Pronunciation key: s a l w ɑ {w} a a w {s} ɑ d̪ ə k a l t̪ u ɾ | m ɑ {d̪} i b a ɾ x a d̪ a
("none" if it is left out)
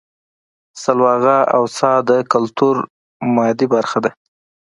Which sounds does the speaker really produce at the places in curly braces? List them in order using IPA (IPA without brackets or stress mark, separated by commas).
ɣ, s, d̪